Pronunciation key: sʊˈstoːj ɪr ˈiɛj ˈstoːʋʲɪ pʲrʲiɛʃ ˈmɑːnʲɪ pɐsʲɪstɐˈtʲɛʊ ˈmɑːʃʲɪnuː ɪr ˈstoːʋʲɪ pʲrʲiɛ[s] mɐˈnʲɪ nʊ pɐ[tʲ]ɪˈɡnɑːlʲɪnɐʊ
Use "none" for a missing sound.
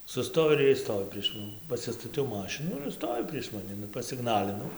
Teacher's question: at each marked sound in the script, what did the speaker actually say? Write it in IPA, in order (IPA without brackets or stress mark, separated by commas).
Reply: ʃ, sʲ